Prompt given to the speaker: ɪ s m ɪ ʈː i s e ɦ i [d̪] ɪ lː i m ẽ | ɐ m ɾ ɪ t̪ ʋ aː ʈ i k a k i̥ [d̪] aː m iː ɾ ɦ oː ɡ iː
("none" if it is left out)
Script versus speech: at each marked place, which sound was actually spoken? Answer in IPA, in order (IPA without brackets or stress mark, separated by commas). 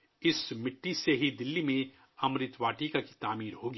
d̪, t̪